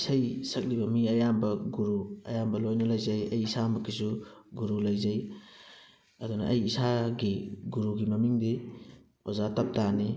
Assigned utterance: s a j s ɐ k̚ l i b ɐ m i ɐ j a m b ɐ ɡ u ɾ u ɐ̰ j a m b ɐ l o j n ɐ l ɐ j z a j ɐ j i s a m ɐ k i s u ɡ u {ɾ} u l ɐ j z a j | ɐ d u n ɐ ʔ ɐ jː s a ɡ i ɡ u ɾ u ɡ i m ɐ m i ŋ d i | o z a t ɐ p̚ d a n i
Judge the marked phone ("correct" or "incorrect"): correct